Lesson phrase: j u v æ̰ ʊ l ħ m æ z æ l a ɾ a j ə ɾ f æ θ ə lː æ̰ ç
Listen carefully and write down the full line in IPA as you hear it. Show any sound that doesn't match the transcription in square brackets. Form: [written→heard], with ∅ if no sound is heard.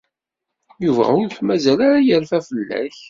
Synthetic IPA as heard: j u v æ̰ ʊ [l→ɾ] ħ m æ z æ l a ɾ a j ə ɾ f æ [θ→f] ə lː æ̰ ç